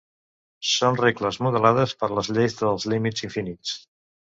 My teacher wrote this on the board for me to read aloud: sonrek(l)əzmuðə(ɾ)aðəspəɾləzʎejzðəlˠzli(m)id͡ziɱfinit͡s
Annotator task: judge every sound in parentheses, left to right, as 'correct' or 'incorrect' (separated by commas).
correct, incorrect, correct